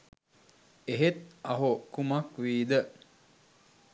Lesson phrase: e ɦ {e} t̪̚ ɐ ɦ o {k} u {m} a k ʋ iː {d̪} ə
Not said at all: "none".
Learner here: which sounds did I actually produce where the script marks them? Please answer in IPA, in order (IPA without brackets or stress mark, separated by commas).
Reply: e, k, m, d̪